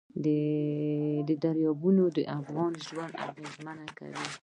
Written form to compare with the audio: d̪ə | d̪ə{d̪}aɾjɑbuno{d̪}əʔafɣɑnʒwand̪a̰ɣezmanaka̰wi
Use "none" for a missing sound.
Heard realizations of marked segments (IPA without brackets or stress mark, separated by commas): d̪, d̪